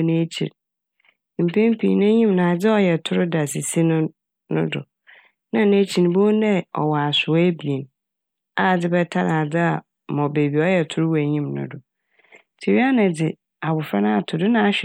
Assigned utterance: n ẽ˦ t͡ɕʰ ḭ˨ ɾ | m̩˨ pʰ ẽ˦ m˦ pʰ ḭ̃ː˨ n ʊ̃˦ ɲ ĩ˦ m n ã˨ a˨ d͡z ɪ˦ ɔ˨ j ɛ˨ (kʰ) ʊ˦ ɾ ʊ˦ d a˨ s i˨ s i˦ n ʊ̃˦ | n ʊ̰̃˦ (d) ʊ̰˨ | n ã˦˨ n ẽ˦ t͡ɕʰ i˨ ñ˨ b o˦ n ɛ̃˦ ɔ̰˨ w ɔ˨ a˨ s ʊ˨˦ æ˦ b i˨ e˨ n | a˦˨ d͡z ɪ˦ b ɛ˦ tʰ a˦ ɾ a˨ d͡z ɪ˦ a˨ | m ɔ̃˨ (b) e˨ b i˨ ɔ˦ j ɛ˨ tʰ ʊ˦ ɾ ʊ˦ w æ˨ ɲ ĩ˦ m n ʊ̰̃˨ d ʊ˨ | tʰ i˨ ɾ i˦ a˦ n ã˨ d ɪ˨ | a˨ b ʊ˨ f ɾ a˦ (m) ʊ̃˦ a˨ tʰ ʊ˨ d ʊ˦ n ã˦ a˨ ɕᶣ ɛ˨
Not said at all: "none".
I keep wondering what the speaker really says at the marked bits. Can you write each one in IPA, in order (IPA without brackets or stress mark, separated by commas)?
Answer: tʰ, d, b, n